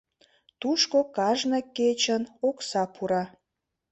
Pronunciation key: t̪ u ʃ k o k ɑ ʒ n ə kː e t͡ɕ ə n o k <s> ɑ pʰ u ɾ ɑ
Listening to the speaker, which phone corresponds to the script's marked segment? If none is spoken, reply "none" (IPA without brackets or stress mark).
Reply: s